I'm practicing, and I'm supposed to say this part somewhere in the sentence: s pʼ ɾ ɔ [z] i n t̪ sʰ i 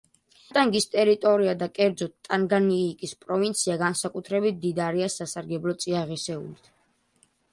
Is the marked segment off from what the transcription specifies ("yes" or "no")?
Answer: yes